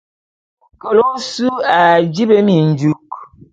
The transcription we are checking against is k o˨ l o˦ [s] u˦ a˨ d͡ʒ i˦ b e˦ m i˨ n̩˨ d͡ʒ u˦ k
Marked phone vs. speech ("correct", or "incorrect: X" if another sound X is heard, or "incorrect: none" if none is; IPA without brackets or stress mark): correct